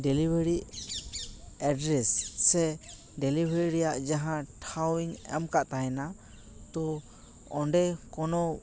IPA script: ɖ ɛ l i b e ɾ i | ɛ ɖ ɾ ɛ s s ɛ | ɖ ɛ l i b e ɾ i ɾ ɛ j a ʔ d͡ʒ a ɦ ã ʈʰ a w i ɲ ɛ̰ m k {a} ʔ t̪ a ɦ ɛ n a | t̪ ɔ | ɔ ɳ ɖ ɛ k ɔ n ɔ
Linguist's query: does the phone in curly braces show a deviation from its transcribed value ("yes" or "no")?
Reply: no